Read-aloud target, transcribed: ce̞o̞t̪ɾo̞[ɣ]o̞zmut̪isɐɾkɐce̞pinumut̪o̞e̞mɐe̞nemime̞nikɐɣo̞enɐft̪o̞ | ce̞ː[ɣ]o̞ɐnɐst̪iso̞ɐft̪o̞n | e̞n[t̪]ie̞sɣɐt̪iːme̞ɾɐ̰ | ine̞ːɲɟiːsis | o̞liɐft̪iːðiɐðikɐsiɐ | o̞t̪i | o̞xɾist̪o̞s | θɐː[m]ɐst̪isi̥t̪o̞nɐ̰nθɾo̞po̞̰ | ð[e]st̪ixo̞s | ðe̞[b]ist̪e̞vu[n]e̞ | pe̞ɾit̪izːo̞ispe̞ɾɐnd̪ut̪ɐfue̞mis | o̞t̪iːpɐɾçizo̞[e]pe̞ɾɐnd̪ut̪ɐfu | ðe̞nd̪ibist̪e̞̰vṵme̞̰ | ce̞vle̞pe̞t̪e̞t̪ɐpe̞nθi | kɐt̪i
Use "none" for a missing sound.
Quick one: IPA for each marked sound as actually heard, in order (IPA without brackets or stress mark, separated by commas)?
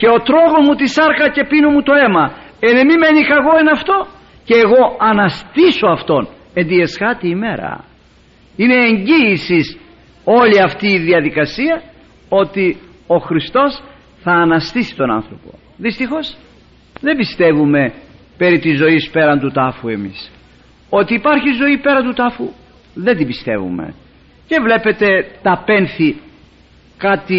ɣ, ɣ, d̪, n, i, b, m, i